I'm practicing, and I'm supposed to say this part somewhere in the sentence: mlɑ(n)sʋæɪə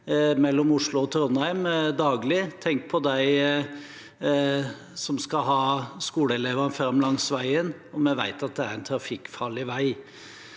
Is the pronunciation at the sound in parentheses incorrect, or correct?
incorrect